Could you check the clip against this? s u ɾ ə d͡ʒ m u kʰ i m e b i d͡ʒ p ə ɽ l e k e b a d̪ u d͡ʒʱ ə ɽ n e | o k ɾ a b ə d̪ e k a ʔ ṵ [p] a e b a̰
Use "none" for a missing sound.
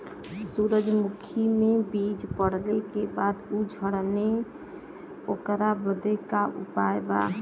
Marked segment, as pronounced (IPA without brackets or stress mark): p